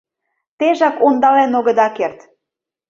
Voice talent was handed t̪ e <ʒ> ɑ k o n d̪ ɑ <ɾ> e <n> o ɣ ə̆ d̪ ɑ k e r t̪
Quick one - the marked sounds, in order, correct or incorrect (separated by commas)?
correct, incorrect, correct